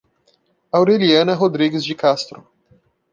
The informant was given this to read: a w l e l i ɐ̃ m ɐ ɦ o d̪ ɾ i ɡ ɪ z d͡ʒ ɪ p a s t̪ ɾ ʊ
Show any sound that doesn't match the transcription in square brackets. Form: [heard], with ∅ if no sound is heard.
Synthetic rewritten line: a w [ɾ] e l i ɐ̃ [n] ɐ ɦ o d̪ ɾ i ɡ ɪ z d͡ʒ ɪ [k] a s t̪ ɾ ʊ